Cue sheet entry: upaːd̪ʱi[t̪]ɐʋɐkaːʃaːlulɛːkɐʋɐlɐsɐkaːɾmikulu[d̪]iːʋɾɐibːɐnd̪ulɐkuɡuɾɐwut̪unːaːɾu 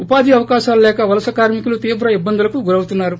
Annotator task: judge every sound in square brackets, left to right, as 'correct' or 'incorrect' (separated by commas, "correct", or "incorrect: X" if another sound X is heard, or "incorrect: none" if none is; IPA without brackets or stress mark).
incorrect: none, incorrect: t̪